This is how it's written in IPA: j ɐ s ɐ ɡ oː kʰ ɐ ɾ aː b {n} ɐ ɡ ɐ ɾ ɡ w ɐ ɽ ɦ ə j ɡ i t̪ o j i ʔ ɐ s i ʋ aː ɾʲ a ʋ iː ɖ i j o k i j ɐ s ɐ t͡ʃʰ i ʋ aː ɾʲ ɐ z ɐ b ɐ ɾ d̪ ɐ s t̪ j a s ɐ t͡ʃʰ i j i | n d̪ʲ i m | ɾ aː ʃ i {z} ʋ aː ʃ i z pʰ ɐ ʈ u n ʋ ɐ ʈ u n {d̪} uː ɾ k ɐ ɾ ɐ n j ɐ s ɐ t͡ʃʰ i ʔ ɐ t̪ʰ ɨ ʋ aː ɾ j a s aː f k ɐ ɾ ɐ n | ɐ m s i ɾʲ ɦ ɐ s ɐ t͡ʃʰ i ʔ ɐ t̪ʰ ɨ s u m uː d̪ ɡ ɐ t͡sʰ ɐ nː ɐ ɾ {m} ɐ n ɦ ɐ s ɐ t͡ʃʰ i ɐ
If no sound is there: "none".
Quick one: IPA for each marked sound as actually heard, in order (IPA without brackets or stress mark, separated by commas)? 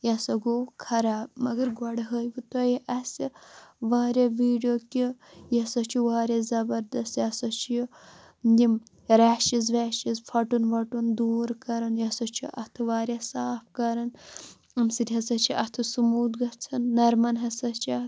m, z, d̪, m